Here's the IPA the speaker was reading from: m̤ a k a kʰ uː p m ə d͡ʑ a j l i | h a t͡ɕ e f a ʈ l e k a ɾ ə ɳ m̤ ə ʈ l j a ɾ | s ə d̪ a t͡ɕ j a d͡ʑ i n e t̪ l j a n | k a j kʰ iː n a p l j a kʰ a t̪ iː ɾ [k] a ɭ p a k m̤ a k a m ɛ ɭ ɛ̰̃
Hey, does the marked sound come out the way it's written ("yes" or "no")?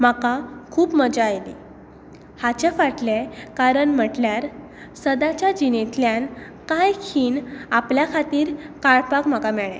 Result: yes